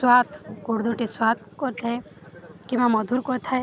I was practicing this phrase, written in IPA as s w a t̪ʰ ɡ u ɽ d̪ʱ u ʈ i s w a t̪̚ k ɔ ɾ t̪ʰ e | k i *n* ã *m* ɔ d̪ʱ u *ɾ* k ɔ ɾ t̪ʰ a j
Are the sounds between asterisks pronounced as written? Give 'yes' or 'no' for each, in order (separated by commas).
no, yes, yes